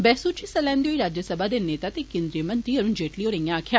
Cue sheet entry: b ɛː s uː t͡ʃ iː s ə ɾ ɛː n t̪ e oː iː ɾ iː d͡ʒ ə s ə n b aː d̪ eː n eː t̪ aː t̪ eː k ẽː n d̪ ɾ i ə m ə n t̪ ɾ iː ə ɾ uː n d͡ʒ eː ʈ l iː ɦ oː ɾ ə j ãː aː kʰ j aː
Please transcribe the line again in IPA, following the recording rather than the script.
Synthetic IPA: b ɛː s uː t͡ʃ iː s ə l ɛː n d̪ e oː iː ɾ aː d͡ʒ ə s ə b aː d̪ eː n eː t̪ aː t̪ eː k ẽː n d̪ ɾ i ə m ə n t̪ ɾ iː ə ɾ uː n d͡ʒ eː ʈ l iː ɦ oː ɾ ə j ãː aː kʰ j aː